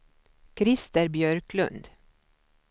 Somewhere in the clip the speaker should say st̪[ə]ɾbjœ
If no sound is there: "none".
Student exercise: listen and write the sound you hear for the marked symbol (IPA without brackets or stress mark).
ə